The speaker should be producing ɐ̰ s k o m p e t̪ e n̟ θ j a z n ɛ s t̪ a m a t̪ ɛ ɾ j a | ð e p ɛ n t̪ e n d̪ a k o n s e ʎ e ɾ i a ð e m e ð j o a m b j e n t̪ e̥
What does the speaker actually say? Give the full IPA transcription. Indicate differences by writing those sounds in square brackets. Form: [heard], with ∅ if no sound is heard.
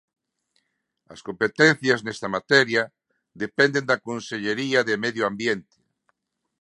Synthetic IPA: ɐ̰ s k o m p e t̪ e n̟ θ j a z n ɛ s t̪ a m a t̪ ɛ ɾ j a | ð e p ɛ n [d̪] e n d̪ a k o n s e ʎ e ɾ i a ð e m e ð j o a m b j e n t̪ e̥